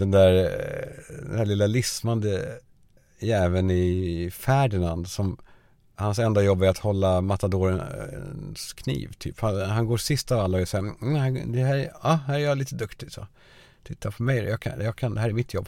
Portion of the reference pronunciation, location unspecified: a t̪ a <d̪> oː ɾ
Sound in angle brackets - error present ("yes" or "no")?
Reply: no